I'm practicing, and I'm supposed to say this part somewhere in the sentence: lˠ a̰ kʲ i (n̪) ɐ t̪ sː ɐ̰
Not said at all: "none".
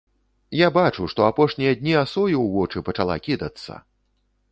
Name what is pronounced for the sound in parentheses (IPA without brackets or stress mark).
d̪